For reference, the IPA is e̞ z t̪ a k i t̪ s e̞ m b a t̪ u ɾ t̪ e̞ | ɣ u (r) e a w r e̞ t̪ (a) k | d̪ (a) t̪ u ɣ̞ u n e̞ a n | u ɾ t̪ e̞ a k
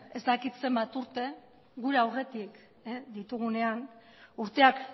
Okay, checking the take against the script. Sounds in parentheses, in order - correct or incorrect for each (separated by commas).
incorrect, incorrect, incorrect